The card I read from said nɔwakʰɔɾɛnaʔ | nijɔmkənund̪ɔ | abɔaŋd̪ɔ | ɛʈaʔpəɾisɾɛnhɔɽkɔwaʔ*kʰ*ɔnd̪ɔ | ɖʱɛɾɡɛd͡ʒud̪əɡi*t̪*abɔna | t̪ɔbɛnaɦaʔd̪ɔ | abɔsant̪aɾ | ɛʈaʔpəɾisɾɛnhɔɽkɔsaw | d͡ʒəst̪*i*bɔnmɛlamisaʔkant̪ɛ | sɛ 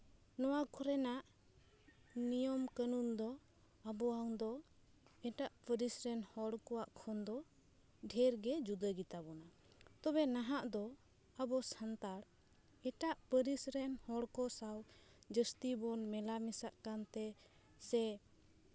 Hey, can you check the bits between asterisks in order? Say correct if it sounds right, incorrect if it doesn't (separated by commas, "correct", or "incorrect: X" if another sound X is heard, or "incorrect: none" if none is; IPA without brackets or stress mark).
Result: correct, correct, correct